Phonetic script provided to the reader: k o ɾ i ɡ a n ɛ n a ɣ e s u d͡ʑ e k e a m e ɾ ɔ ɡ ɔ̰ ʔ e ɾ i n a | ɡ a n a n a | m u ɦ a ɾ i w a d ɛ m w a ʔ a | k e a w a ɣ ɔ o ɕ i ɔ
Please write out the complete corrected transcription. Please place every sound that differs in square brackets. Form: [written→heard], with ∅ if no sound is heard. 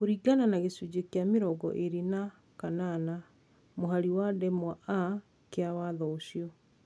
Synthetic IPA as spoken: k o ɾ i ɡ a n [ɛ→a] n a ɣ e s u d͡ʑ e k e a m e ɾ ɔ ɡ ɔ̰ ʔ e ɾ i n a | [ɡ→k] a n a n a | m [u→o] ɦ a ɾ i w a d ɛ m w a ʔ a | k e a w a [ɣ→ð] ɔ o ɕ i ɔ